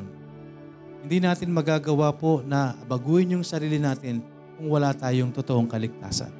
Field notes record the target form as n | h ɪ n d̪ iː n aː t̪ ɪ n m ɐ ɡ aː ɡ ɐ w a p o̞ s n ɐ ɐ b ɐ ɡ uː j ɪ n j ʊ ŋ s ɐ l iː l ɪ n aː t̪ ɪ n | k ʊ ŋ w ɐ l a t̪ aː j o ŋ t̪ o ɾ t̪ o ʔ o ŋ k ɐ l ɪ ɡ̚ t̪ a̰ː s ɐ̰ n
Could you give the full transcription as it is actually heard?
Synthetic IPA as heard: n | h ɪ n d̪ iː n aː t̪ ɪ n m ɐ ɡ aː ɡ ɐ w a p o̞ n ɐ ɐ b ɐ ɡ uː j ɪ n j ʊ ŋ s ɐ ɾ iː l ɪ n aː t̪ ɪ n | k ʊ ŋ w ɐ l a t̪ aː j o ŋ t̪ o t̪ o ʔ o ŋ k ɐ l ɪ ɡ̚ t̪ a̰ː s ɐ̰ n